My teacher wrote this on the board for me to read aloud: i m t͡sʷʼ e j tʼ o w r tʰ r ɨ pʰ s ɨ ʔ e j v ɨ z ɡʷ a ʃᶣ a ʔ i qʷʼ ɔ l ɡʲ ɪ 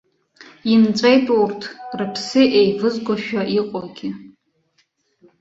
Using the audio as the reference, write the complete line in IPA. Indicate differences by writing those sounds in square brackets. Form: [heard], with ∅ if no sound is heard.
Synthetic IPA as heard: i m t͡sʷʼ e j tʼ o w r tʰ r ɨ pʰ s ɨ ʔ e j v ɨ z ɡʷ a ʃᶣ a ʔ i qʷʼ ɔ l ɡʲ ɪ

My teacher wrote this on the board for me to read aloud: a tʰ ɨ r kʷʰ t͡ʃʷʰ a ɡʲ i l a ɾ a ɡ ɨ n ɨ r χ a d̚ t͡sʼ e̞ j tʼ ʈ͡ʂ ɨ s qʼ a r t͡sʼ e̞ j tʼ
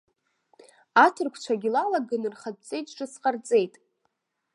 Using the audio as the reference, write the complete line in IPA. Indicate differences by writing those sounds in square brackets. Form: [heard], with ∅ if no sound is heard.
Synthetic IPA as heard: a tʰ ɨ r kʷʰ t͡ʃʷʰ a ɡʲ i l a [l] a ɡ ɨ n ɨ r χ a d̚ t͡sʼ e̞ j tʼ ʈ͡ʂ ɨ s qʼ a r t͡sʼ e̞ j tʼ

